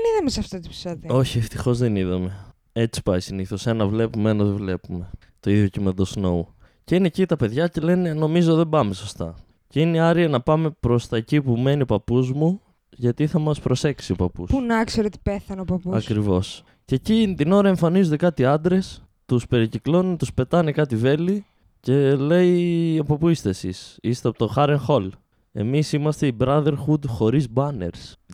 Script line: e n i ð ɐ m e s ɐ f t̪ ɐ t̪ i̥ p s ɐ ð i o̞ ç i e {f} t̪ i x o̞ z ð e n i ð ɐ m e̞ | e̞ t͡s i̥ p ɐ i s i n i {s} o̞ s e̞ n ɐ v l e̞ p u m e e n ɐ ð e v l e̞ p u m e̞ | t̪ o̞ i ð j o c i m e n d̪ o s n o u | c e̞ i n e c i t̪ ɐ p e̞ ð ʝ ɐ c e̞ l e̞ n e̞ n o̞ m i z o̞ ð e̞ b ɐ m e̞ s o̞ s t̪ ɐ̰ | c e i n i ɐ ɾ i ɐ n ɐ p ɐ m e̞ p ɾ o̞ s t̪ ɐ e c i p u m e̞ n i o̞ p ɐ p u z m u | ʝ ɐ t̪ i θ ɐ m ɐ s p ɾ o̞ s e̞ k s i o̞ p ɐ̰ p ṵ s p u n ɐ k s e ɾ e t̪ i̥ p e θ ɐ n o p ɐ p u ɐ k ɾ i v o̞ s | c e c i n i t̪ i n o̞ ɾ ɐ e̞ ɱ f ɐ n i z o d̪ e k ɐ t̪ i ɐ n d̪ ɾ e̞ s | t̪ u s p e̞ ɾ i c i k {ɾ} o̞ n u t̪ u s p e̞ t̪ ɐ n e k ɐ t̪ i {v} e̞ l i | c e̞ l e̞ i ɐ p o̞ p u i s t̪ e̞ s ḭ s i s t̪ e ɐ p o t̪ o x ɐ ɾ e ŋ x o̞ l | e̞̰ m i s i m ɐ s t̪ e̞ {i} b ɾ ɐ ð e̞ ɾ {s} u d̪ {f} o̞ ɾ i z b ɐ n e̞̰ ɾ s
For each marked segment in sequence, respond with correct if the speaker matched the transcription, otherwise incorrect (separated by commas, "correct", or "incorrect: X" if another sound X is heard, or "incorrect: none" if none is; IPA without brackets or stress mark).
correct, incorrect: θ, incorrect: l, correct, correct, incorrect: x, incorrect: x